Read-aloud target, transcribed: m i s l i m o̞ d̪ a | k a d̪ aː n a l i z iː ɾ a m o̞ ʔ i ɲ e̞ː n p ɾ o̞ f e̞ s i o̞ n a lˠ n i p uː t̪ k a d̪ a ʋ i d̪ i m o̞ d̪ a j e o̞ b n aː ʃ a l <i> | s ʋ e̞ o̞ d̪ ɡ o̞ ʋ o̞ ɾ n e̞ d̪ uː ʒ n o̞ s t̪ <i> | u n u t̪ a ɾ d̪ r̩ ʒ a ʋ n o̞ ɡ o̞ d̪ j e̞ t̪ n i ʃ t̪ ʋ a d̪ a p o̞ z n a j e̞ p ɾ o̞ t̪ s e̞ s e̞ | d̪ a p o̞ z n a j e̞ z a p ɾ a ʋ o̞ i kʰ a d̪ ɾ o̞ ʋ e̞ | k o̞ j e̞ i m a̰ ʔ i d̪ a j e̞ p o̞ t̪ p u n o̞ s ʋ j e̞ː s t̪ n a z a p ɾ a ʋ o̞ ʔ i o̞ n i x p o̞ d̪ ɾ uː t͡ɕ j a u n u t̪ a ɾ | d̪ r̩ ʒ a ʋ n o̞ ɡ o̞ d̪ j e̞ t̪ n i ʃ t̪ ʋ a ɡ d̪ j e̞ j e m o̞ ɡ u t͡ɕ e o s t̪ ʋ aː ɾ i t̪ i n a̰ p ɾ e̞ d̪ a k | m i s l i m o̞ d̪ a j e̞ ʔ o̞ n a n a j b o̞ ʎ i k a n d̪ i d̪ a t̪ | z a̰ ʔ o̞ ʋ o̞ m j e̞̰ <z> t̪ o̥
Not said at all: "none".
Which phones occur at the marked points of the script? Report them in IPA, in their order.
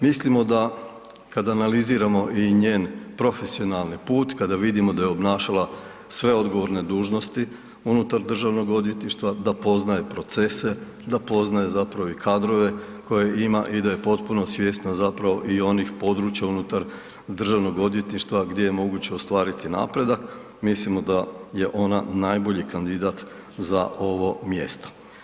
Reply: a, i, s

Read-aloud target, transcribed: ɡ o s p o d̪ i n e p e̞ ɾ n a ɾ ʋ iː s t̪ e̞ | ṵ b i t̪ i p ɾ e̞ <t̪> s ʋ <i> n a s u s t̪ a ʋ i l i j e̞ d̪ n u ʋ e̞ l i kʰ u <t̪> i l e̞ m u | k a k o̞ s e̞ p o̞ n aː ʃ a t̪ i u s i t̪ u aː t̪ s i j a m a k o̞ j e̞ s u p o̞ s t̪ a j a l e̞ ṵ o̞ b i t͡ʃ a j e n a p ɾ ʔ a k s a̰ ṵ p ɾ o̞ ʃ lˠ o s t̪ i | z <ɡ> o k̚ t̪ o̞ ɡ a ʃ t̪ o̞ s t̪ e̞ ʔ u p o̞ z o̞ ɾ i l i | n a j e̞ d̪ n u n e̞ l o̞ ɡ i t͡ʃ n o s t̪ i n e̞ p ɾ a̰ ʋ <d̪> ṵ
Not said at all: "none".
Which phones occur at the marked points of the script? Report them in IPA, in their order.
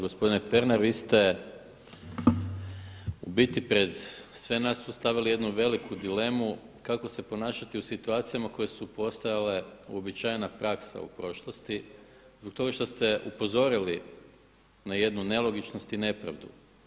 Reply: d̪, e, d̪, b, d̪

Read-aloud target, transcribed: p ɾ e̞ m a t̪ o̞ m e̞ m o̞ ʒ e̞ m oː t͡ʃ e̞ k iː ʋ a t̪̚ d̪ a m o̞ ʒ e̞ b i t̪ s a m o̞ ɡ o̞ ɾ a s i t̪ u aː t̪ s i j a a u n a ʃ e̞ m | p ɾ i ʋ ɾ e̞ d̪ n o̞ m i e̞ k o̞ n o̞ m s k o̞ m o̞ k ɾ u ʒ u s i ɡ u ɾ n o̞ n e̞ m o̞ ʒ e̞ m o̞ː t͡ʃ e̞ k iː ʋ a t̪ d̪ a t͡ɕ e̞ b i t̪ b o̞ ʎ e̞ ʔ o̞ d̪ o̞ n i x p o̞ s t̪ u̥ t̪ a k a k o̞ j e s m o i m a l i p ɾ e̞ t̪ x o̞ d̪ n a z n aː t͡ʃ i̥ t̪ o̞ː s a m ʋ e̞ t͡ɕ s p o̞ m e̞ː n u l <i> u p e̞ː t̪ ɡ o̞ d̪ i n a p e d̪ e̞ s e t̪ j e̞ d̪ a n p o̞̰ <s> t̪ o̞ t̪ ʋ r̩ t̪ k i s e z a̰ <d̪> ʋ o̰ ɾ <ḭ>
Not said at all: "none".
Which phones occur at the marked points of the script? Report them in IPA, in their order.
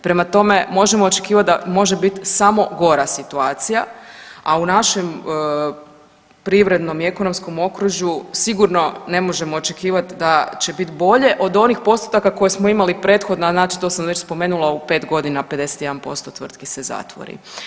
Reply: a, s, t̪, ḭ

